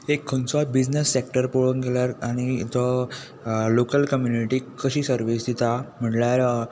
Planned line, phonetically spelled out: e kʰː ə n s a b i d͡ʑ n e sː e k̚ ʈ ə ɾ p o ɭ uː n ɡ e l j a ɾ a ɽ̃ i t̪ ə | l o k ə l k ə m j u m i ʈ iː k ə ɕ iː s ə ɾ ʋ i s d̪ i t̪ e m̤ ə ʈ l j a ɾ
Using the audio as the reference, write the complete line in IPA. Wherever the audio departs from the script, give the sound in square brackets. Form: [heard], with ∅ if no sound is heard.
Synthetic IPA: e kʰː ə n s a b i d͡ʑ n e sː e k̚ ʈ ə ɾ p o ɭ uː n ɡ e l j a ɾ a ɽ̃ i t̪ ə | l o k ə l k ə m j u [n] i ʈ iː k ə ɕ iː s ə ɾ ʋ i s d̪ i t̪ [a] m̤ ə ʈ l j a ɾ